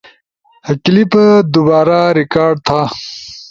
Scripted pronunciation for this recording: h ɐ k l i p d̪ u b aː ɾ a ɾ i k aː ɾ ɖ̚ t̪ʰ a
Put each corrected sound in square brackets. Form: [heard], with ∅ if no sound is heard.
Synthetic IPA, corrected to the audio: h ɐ k l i p d̪ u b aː ɾ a ɾ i k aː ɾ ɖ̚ t̪ʰ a